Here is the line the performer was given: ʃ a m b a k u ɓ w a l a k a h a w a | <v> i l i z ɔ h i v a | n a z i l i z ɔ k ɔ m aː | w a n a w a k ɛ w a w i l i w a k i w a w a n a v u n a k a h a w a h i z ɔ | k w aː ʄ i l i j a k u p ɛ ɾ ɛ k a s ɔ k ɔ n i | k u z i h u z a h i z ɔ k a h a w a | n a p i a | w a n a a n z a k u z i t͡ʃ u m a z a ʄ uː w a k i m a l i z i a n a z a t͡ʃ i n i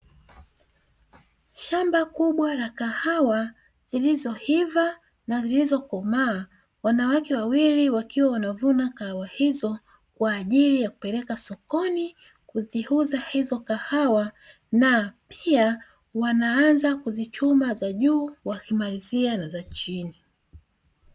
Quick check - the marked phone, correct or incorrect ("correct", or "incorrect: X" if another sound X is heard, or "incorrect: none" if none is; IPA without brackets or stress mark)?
incorrect: z